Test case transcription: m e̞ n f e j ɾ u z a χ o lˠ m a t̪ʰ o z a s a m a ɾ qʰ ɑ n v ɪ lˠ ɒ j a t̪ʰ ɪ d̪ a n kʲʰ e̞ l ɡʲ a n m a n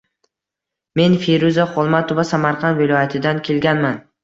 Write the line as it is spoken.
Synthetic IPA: m e̞ n f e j ɾ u z a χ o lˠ m a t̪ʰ o v a s a m a ɾ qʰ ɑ n v ɪ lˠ ɒ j a t̪ʰ ɪ d̪ a n kʲʰ e̞ l ɡʲ a n m a n

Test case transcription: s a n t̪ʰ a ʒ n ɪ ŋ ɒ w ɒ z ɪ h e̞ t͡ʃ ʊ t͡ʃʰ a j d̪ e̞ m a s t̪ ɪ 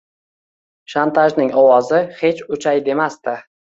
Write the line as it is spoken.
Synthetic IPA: ʃ a n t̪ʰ a ʒ n ɪ ŋ ɒ w ɒ z ɪ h e̞ t͡ʃ ʊ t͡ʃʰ a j d̪ e̞ m a s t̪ ɪ

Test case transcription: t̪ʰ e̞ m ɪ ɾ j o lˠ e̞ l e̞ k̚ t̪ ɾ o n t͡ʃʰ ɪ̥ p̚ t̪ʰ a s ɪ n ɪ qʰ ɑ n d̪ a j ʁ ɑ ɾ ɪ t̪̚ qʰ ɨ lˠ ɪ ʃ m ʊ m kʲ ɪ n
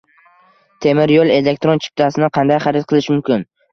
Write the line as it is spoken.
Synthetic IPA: t̪ʰ e̞ m ɪ ɾ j o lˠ e̞ l e̞ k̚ t̪ ɾ o n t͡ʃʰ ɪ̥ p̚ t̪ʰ a s ɪ n ɪ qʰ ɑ n d̪ a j χ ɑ ɾ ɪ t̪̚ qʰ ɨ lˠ ɪ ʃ m ʊ m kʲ ɪ n

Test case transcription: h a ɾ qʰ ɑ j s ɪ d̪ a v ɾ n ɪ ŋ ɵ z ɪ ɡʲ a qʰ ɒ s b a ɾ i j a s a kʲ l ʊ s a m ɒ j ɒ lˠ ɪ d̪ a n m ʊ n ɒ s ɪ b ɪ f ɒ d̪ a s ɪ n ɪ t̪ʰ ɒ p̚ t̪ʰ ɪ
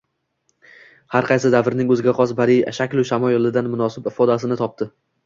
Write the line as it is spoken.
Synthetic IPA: h a ɾ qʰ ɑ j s ɪ d̪ a v ɾ n ɪ ŋ ɵ z ɪ ɡʲ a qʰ ɒ s b a ɾ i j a ʃ a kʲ l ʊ ʃ a m ɒ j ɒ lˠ ɪ d̪ a n m ʊ n ɒ s ɪ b ɪ f ɒ d̪ a s ɪ n ɪ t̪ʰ ɒ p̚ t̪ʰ ɪ

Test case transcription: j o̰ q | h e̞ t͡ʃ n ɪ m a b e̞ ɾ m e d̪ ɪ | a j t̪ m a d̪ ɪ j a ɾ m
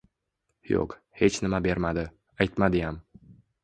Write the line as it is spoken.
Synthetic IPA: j o̰ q | h e̞ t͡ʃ n ɪ m a b e̞ ɾ m a d̪ ɪ | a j t̪ m a d̪ ɪ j a m

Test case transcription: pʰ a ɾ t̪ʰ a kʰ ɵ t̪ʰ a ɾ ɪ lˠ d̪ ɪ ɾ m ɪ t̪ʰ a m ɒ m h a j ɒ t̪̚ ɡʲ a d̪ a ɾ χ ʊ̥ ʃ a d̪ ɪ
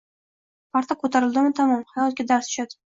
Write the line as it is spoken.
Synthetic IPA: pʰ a ɾ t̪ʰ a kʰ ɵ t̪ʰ a ɾ ɪ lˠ d̪ ɪ m ɪ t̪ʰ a m ɒ m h a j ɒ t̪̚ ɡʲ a d̪ a ɾ s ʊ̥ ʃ a d̪ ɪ

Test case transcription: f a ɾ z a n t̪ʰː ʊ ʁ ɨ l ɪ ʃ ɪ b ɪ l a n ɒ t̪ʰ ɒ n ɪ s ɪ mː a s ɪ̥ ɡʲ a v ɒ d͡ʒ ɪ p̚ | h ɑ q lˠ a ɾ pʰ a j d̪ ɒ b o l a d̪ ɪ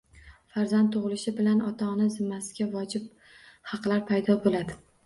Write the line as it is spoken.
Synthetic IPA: f a ɾ z a n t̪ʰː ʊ ʁ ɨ l ɪ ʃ ɪ b ɪ l a n ɒ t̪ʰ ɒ n ɪ z ɪ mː a s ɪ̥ ɡʲ a v ɒ d͡ʒ ɪ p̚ | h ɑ q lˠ a ɾ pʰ a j d̪ ɒ b o l a d̪ ɪ

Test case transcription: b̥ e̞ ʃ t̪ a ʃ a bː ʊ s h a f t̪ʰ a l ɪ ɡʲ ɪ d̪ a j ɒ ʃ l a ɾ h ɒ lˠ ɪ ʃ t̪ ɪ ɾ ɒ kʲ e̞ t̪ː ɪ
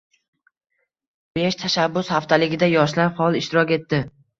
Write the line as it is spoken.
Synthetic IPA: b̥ e̞ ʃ t̪ʰ a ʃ a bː ʊ s h a f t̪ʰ a l ɪ ɡʲ ɪ d̪ a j ɒ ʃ l a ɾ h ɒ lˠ ɪ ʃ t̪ ɪ ɾ ɒ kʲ e̞ t̪ː ɪ

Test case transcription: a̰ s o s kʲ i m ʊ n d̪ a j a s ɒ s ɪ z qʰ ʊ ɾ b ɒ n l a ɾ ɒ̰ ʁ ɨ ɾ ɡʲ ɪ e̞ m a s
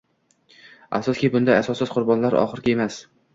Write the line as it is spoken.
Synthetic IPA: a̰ s ɒ s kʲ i b ʊ n d̪ a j a s ɒ s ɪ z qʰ ʊ ɾ b ɒ n l a ɾ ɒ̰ χ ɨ ɾ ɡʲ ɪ e̞ m a s

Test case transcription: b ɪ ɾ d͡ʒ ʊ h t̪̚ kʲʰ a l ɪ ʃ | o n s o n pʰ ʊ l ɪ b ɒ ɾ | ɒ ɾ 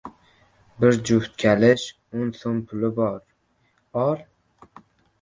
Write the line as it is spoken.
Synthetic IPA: b ɪ ɾ d͡ʒ ʊ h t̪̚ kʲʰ a l ɪ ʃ | o n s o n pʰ ʊ l ɪ b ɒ ɾ | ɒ ɾ

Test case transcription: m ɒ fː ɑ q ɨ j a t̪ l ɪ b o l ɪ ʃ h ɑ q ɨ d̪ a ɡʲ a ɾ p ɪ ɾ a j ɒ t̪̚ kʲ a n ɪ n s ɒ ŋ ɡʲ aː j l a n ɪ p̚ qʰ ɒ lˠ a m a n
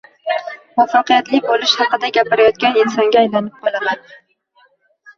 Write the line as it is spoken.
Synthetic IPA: m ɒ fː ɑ q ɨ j a t̪ l ɪ b o l ɪ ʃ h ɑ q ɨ d̪ a ɡʲ a p ɪ ɾ a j ɒ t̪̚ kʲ a n ɪ n s ɒ ŋ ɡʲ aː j l a n ɪ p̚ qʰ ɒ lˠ a m a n

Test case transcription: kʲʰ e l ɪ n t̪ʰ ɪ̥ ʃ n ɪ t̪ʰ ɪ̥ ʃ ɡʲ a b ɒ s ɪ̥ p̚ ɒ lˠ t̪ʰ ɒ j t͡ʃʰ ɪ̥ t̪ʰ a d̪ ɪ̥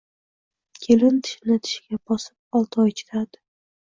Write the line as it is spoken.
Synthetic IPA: kʲʰ e l ɪ n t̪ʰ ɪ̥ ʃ n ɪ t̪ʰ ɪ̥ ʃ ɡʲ a b ɒ s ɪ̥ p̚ ɒ lˠ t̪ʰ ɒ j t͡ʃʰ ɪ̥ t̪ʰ a d̪ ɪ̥

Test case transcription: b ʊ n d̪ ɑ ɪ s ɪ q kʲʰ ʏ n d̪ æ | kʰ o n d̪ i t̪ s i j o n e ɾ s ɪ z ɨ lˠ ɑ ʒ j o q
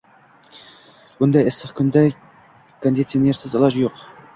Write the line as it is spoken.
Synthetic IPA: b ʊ n d̪ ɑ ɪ s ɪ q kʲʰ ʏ n d̪ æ | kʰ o n d̪ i t̪ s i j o n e ɾ s ɪ z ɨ lˠ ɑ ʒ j o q

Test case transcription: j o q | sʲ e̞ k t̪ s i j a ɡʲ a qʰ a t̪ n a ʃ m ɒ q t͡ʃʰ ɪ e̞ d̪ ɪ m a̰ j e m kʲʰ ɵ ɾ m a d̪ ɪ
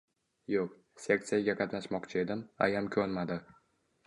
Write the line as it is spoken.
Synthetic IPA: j o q | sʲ e̞ k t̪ s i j a ɡʲ a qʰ ɑ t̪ n a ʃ m ɒ q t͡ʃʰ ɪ e̞ d̪ ɪ m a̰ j a m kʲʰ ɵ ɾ m a d̪ ɪ

